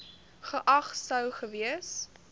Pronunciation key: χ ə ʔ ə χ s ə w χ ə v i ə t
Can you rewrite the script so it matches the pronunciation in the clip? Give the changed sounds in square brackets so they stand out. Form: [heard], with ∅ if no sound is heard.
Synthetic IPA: χ ə ʔ [ɐ] χ s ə w χ ə v i ə [s]